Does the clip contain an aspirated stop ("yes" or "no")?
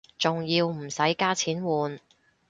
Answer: yes